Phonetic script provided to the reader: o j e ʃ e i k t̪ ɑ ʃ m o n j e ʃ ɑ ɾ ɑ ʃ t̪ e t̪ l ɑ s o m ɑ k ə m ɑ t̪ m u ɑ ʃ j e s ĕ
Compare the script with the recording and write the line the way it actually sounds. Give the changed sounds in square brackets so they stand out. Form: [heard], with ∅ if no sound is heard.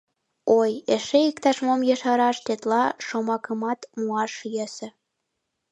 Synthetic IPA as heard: o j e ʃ e i k t̪ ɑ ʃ m o [m] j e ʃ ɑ ɾ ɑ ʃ t̪ e t̪ l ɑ [ʃ] o m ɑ k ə m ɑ t̪ m u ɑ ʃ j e s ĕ